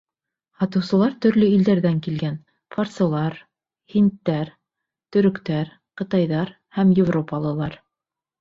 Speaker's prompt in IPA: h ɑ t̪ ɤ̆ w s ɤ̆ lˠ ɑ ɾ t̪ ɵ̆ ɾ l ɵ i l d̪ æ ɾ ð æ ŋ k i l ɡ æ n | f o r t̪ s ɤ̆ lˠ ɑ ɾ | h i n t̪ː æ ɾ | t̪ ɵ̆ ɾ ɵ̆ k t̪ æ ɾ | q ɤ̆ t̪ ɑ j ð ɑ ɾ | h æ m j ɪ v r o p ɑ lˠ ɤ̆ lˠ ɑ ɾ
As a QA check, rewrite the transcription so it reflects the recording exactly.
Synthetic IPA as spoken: h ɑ t̪ ɤ̆ w s ɤ̆ lˠ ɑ ɾ t̪ ɵ̆ ɾ l ɵ i l d̪ æ ɾ ð æ ŋ k i l ɡ æ n | f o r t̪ s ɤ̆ lˠ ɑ ɾ | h i n t̪ː æ ɾ | t̪ ɵ̆ ɾ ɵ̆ k t̪ æ ɾ | q ɤ̆ t̪ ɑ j ð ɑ ɾ | h æ m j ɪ v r o p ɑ lˠ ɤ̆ lˠ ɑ ɾ